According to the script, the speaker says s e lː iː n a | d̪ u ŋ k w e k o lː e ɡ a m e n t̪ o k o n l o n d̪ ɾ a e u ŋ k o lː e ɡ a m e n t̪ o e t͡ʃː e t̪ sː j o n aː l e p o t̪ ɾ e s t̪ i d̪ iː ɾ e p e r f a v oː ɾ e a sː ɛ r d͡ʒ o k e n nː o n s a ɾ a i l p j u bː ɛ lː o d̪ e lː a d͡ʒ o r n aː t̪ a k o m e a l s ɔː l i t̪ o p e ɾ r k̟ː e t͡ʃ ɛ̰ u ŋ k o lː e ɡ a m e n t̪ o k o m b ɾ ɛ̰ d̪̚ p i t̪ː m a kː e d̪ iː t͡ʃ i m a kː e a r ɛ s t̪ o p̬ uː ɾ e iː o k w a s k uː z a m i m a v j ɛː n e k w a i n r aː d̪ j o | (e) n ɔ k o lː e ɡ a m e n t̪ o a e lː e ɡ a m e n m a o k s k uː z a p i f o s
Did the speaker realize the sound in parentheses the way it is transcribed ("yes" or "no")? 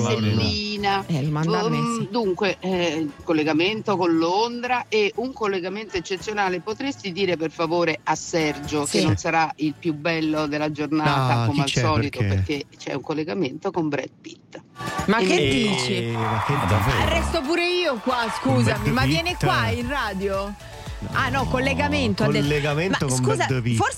no